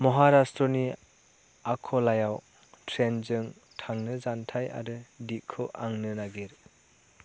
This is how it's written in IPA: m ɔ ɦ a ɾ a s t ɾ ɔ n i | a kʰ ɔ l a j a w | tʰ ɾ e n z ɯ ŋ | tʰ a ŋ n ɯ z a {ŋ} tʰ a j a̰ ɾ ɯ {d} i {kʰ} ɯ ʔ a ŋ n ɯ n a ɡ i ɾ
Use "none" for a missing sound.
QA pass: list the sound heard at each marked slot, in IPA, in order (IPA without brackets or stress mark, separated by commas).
n, d, kʰ